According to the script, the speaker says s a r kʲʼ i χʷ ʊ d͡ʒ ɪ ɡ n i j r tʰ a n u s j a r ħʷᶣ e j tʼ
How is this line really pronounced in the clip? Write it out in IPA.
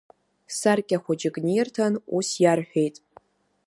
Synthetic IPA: s a r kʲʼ a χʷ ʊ d͡ʒ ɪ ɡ n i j r tʰ a n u s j a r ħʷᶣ e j tʼ